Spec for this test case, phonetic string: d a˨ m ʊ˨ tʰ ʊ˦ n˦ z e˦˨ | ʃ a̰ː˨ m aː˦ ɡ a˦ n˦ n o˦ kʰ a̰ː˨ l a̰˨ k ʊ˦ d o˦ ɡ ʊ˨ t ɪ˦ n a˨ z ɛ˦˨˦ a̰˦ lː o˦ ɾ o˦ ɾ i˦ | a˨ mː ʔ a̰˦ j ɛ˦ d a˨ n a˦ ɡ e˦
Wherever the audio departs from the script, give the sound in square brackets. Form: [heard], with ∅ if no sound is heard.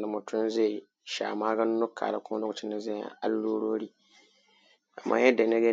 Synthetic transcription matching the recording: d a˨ m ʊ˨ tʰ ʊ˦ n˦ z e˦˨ | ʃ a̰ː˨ m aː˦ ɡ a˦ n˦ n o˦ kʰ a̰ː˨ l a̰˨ k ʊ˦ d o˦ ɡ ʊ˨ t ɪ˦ n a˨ z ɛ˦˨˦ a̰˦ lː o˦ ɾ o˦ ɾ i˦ | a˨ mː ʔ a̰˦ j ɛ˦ d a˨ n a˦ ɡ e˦